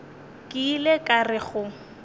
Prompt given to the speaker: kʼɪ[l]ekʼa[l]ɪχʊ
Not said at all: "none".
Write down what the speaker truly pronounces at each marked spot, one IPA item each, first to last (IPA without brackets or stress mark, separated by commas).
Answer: l, r